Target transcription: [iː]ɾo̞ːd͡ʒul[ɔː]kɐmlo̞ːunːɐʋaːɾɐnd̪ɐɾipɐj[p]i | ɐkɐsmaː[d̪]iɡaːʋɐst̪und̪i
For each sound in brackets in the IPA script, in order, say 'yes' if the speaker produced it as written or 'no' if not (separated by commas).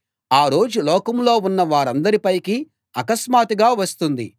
no, yes, no, no